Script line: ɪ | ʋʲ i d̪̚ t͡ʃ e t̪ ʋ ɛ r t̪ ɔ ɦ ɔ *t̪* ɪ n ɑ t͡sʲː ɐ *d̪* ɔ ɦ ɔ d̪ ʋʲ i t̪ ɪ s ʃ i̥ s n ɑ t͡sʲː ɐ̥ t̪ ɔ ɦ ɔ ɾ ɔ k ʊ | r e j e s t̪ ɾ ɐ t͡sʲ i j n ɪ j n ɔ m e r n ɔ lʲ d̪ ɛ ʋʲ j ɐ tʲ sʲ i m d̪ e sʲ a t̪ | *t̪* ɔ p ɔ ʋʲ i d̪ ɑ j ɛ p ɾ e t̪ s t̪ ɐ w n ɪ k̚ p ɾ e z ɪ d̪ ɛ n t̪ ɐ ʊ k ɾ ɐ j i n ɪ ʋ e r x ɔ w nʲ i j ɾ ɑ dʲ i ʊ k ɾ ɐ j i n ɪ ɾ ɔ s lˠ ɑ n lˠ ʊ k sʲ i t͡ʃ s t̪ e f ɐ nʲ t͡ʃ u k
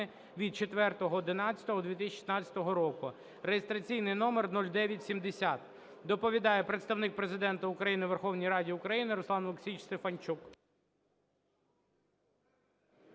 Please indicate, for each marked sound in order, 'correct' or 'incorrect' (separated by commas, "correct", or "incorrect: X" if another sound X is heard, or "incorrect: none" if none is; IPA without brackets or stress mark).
incorrect: d̪, incorrect: t̪, incorrect: d̪